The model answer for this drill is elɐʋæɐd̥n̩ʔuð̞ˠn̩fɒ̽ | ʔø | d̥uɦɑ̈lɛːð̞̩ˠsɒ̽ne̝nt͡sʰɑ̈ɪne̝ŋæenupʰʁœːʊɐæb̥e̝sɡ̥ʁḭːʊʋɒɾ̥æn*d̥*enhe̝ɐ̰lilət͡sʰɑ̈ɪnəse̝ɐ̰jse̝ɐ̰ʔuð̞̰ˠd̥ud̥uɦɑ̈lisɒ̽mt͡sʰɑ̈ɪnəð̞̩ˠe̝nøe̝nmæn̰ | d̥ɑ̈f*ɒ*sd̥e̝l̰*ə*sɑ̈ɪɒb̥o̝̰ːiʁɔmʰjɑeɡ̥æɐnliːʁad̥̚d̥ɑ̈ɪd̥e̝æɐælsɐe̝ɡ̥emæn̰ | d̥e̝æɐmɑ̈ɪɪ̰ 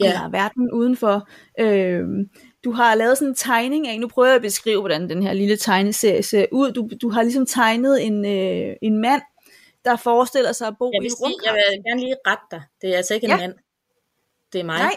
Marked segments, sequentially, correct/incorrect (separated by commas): correct, incorrect, incorrect